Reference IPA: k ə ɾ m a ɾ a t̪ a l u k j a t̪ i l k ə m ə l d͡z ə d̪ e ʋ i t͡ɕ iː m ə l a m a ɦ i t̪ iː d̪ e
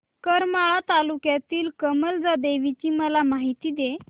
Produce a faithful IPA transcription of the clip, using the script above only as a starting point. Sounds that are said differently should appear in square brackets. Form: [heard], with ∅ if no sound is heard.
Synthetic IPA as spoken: k ə ɾ m a [ɭ] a t̪ a l u k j a t̪ [iː] l k ə m ə l d͡z [a] d̪ e ʋ i t͡ɕ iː m ə l a m a ɦ i t̪ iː d̪ e

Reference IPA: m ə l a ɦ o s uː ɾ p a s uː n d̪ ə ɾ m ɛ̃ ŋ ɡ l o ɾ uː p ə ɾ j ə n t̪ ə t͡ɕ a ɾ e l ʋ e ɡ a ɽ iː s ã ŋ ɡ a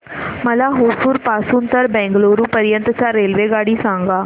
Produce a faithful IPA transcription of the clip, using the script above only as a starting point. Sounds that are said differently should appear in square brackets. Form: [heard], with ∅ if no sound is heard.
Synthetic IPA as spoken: m ə l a ɦ o s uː ɾ p a s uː n [t̪] ə ɾ [b] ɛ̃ ŋ ɡ l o ɾ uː p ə ɾ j ə n t̪ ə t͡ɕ a ɾ e l ʋ e ɡ a ɽ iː s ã ŋ ɡ a

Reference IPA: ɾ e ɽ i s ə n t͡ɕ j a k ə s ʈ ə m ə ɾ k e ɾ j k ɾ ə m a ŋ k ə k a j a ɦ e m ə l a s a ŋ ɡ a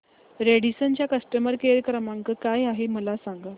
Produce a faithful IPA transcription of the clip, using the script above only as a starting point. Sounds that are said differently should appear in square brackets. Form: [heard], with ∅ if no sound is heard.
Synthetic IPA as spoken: ɾ e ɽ i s ə n t͡ɕ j a k ə s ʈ ə m ə ɾ k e ɾ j k ɾ ə m a ŋ k ə k a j a ɦ e m ə l a s a ŋ ɡ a

